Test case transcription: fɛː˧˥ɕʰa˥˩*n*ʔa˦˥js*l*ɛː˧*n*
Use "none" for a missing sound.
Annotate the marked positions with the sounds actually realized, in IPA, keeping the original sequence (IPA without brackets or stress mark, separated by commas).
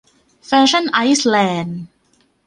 n, l, n